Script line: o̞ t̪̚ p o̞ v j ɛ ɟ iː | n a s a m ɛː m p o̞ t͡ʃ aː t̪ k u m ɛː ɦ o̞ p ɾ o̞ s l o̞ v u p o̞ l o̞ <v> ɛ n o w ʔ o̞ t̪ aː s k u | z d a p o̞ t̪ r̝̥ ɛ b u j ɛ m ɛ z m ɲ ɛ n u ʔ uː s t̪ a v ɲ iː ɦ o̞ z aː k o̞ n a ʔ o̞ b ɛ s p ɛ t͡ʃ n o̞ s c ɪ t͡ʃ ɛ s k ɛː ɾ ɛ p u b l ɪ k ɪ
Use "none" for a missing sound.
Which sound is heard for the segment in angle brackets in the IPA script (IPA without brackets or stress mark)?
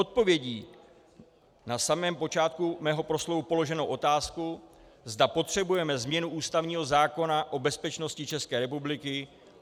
ʒ